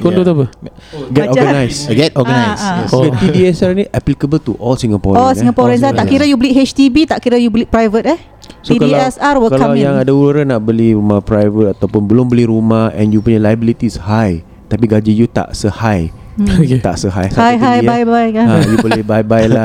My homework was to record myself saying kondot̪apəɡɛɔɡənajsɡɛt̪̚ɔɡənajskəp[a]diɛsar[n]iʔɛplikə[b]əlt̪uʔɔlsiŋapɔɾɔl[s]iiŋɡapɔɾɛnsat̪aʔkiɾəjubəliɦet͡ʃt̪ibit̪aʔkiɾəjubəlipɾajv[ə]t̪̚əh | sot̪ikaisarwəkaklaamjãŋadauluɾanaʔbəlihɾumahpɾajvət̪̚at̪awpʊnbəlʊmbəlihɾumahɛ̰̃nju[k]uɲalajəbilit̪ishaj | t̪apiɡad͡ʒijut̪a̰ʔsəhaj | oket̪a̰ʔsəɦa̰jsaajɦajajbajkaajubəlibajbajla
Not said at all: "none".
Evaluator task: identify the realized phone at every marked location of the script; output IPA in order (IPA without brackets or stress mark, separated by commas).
i, n, b, s, ə, p